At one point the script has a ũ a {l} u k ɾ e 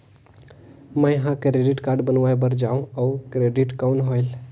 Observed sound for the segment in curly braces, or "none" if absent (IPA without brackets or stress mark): none